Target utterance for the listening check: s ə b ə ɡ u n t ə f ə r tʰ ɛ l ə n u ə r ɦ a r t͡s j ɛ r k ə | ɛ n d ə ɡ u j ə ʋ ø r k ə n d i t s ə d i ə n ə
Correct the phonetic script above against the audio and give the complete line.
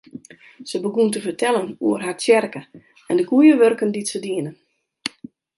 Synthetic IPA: s ə b ə ɡ u n t ə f ə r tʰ ɛ l ə n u ə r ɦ a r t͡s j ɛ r k ə | ɛ n d ə ɡ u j ə ʋ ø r k ə n d i t s ə d i ə n ə